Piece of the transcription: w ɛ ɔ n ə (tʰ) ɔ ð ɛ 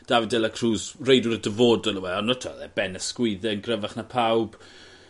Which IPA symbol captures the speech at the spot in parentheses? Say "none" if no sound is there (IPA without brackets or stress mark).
tʰ